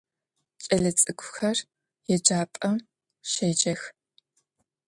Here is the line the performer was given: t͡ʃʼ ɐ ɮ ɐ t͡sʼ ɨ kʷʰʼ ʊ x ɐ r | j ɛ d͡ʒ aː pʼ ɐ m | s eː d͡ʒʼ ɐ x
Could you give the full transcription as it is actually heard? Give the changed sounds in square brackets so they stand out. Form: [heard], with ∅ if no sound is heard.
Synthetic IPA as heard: t͡ʃʼ ɐ ɮ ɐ t͡sʼ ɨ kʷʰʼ ʊ x ɐ r | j ɛ d͡ʒ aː pʼ ɐ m | [ʃ] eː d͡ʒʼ ɐ x